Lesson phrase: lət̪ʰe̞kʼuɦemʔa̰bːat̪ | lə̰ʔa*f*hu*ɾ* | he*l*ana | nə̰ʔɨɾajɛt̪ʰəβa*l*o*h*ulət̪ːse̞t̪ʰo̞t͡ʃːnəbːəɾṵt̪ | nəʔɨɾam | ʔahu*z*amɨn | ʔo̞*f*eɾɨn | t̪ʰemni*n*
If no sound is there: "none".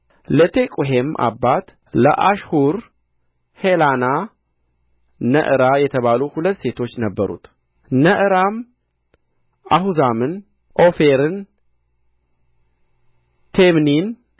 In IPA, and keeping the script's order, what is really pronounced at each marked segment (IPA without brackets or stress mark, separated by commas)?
ʃ, ɾ, l, l, h, z, f, n